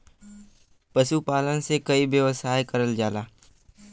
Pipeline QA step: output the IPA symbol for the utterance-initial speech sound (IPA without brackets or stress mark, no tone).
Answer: p